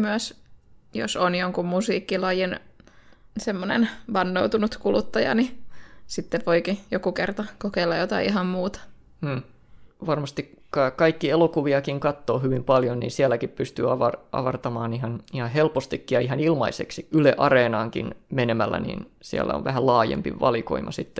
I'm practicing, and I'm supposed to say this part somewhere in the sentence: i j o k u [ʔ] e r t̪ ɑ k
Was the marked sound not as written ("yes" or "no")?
yes